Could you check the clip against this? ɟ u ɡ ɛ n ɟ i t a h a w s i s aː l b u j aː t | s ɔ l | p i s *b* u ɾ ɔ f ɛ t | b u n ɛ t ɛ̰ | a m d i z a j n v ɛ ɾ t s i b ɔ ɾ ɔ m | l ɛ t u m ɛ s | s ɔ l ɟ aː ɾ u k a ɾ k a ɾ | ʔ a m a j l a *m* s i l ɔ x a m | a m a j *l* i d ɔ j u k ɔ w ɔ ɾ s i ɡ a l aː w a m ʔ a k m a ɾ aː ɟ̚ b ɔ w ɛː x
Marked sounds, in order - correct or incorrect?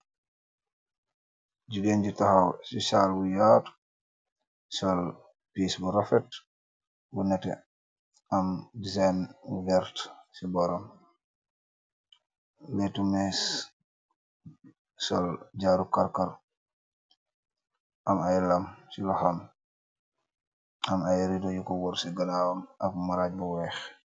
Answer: correct, correct, incorrect

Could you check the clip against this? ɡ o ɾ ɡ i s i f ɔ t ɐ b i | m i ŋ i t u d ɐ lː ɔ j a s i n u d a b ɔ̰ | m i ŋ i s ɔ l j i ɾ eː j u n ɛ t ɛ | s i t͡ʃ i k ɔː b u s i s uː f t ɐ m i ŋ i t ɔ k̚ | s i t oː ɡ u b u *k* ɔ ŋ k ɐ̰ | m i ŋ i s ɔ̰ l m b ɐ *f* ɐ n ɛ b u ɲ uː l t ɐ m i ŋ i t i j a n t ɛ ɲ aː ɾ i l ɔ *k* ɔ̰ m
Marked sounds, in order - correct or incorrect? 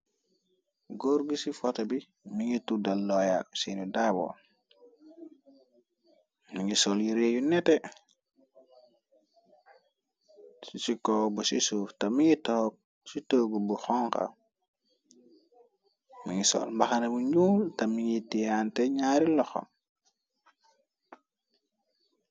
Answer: incorrect, incorrect, incorrect

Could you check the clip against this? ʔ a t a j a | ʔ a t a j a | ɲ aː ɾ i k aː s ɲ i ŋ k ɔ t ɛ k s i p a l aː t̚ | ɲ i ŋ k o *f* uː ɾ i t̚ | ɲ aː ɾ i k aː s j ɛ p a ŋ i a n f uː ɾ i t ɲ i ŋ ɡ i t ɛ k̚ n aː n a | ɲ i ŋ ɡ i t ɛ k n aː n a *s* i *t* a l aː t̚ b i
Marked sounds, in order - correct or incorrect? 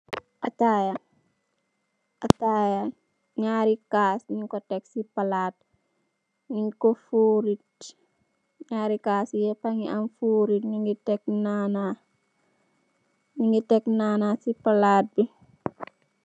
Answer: correct, correct, incorrect

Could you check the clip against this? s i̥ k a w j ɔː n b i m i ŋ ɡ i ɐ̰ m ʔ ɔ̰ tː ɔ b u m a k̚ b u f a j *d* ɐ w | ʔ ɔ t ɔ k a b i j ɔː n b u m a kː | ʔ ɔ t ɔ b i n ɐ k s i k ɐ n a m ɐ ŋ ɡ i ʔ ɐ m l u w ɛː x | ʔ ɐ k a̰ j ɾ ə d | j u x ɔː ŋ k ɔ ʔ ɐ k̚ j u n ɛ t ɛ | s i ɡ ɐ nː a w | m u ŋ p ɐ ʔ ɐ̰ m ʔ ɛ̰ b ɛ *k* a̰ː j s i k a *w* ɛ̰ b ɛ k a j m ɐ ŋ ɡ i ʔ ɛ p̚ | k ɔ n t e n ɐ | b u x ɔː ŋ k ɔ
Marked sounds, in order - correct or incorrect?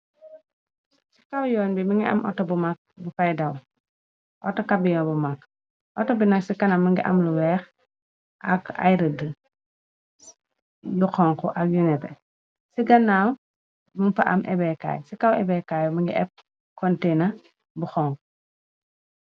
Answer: correct, correct, correct

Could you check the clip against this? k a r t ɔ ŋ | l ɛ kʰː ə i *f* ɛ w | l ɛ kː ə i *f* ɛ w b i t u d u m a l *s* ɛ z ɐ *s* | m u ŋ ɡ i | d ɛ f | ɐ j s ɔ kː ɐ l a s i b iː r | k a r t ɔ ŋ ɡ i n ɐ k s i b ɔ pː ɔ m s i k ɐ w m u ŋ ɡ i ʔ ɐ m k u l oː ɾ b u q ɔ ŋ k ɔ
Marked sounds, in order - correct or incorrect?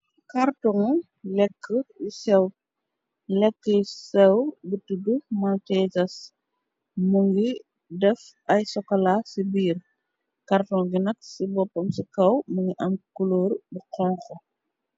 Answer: incorrect, incorrect, incorrect, correct

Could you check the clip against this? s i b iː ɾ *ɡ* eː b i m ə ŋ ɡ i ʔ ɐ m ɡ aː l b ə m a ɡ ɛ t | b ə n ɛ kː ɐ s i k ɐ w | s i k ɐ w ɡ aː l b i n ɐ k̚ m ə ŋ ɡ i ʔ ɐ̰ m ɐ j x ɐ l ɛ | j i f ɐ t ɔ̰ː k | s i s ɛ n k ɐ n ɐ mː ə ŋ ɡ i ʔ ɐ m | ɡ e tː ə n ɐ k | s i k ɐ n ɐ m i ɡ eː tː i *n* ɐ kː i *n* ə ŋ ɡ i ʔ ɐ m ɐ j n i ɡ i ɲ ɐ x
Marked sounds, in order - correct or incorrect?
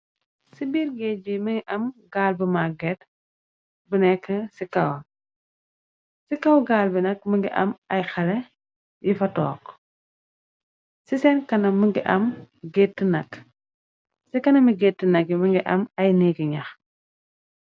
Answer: correct, correct, incorrect

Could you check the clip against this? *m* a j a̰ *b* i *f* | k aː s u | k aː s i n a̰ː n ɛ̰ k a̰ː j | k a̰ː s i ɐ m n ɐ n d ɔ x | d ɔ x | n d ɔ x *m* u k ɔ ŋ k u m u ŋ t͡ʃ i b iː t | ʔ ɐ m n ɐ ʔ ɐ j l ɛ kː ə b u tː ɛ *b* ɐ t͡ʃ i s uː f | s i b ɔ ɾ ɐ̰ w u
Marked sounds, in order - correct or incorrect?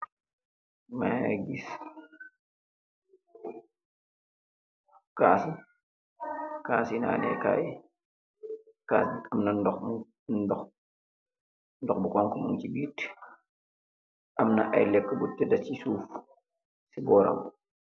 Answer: correct, incorrect, incorrect, incorrect, incorrect

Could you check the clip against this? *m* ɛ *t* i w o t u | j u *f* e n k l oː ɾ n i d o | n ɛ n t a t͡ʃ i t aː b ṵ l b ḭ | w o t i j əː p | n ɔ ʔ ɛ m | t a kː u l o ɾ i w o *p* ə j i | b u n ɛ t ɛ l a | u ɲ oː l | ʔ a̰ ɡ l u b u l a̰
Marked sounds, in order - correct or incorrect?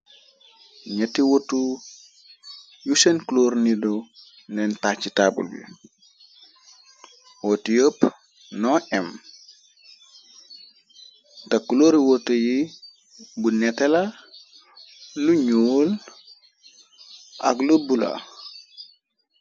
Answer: incorrect, correct, incorrect, incorrect

